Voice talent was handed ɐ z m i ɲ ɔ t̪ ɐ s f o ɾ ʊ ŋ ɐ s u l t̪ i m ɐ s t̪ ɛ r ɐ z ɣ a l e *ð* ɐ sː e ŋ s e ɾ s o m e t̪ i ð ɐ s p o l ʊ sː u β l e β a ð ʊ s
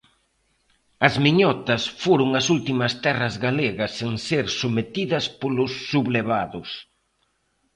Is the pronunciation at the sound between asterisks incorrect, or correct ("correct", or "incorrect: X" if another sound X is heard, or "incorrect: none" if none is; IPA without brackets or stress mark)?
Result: incorrect: ɣ